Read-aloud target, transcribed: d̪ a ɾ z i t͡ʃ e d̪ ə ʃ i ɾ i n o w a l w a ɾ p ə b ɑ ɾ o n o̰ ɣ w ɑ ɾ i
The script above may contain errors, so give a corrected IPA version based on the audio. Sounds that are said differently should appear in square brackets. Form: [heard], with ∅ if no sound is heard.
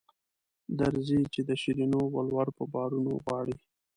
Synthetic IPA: d̪ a ɾ z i t͡ʃ e d̪ ə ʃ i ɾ i n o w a l w a ɾ p ə b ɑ ɾ [u] n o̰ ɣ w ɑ [ɽ] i